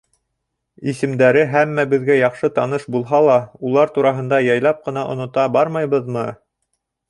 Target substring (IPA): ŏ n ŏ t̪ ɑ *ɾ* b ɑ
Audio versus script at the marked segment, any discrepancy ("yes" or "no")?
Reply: yes